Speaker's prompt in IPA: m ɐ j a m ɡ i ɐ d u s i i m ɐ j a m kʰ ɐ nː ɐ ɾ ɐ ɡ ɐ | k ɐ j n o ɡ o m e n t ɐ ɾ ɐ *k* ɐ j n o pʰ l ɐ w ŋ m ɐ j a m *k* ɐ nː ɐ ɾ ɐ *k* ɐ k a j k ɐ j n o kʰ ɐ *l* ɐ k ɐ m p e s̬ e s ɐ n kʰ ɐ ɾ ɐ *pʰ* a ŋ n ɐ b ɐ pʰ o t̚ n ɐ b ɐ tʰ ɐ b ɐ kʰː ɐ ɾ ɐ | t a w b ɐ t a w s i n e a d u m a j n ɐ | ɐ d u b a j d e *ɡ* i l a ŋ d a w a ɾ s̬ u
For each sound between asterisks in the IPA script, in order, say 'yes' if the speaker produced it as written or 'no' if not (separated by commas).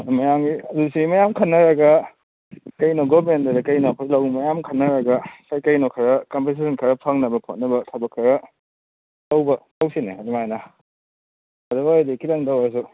yes, no, no, no, yes, no